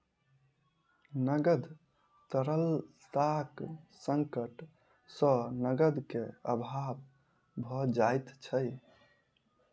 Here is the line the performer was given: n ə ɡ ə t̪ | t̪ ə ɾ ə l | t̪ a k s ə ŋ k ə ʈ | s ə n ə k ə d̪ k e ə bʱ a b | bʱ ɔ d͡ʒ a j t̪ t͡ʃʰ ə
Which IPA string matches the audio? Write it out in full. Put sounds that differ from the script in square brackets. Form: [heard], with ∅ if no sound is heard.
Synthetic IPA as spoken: n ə ɡ ə [d̪] | t̪ ə ɾ ə l | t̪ a k s ə ŋ k ə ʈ | s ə n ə [ɡ] ə d̪ k e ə bʱ a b | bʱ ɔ d͡ʒ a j t̪ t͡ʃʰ ə